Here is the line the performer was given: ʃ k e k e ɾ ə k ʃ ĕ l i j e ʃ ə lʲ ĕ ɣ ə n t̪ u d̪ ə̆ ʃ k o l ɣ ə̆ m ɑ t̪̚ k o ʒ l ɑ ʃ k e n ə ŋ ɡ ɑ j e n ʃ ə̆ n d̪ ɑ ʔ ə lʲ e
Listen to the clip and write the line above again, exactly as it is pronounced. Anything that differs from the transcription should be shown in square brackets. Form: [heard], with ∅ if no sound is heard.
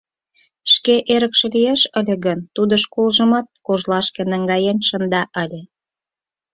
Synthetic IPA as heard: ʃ k e [ʔ] e ɾ ə k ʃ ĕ l i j e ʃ ə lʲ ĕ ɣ ə n t̪ u d̪ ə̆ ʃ k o l [ʒ] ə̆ m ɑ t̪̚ k o ʒ l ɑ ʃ k e n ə ŋ ɡ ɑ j e n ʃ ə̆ n d̪ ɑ ʔ ə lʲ e

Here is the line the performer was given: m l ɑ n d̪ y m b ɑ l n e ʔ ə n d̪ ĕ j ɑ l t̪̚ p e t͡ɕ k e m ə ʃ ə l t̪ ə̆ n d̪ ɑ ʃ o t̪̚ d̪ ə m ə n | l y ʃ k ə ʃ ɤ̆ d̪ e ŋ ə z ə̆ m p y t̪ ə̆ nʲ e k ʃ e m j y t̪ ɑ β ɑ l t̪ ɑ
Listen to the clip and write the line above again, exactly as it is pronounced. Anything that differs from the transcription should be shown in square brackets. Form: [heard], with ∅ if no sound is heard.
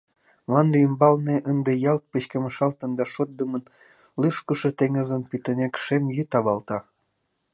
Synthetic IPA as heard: m l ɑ n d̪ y m b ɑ l n e ʔ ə n d̪ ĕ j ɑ l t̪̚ p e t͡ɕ k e m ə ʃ [ɑ] l t̪ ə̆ n d̪ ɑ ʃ o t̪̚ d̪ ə m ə n | l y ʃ k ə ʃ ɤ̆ [t̪] e ŋ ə z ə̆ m p y t̪ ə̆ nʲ e k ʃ e m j y t̪ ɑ β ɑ l t̪ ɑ

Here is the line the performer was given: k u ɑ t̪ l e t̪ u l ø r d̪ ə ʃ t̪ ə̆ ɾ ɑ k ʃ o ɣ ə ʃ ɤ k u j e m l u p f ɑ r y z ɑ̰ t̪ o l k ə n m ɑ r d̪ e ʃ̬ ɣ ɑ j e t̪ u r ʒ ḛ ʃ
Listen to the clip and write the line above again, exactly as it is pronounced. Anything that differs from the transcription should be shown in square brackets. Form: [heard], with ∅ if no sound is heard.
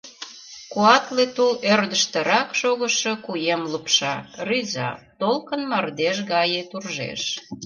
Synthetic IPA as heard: k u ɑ t̪ l e t̪ u l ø r d̪ ə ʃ t̪ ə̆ ɾ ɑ k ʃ o ɣ ə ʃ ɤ k u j e m l u p [ʃ] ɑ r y z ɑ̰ t̪ o l k ə n m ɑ r d̪ e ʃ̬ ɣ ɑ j e t̪ u r ʒ ḛ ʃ

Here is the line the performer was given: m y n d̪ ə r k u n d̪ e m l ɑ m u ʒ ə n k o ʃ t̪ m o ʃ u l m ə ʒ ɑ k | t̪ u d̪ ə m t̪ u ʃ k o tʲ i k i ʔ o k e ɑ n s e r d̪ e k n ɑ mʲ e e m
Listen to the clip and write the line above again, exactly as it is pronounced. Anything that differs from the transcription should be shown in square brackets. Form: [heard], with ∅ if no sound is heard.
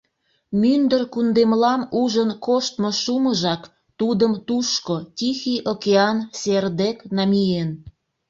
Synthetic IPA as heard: m y n d̪ ə r k u n d̪ e m l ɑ m u ʒ ə n k o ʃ t̪ m o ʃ u [∅] m ə ʒ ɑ k | t̪ u d̪ ə m t̪ u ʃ k o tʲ i [x] i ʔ o k e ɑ n s e r d̪ e k n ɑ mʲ [i] e [n]

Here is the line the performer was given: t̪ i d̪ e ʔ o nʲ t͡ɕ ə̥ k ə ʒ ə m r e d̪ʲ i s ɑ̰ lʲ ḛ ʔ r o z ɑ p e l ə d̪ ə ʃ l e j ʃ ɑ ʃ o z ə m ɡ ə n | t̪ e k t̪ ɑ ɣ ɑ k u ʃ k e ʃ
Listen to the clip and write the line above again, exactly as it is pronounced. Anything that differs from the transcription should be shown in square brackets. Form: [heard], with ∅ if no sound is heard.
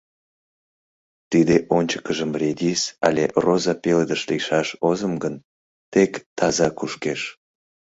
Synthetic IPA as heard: t̪ i d̪ e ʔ o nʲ t͡ɕ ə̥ k ə ʒ ə m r e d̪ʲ i s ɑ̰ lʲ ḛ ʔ r o z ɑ p e l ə d̪ ə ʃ l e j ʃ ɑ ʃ o z ə m ɡ ə n | t̪ e k t̪ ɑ [z] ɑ k u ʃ k e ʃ

